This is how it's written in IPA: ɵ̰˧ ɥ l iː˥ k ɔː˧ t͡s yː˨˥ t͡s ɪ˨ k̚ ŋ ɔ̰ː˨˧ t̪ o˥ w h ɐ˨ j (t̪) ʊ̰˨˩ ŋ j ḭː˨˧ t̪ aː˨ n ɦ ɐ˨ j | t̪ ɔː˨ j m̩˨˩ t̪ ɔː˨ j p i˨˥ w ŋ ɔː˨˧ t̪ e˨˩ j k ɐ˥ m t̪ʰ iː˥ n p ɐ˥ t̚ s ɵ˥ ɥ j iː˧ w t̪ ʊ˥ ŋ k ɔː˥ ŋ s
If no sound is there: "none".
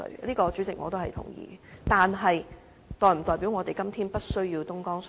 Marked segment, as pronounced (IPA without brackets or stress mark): t̪ʰ